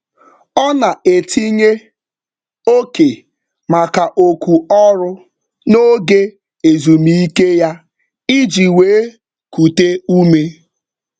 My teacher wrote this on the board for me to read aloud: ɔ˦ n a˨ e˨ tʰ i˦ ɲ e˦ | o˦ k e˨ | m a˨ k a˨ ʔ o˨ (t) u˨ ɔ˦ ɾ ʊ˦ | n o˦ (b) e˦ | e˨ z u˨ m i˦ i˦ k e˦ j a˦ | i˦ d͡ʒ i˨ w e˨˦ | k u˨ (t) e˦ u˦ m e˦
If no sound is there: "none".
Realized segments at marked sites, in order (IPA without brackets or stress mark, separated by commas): k, ɡ, t